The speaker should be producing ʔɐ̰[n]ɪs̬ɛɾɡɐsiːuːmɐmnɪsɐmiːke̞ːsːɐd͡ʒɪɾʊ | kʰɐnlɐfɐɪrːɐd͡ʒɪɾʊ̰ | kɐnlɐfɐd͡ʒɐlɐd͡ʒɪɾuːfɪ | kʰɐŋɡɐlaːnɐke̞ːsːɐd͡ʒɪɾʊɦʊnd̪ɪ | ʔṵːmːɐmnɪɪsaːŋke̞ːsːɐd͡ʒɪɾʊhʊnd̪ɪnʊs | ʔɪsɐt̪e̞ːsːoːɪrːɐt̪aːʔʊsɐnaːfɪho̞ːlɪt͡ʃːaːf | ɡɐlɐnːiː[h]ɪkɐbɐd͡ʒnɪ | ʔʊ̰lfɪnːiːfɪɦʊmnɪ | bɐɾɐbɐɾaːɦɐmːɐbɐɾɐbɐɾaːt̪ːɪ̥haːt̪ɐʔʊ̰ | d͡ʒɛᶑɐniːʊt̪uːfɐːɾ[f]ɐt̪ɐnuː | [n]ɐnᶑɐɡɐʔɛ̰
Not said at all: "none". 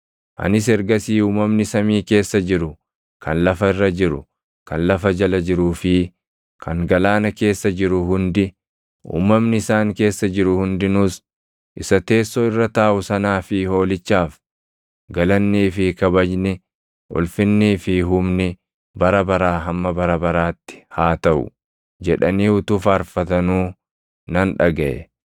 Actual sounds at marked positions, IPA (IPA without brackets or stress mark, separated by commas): n, f, f, n